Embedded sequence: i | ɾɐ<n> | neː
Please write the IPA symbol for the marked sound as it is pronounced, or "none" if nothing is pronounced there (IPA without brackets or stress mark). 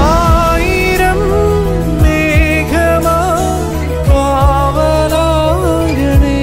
m